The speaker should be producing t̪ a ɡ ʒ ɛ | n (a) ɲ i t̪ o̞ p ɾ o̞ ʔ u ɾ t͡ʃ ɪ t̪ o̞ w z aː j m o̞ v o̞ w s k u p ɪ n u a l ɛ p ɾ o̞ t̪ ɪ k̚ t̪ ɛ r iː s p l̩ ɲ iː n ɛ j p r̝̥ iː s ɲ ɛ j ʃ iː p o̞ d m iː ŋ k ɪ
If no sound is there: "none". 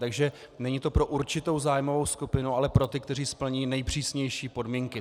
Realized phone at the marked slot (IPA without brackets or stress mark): ɛ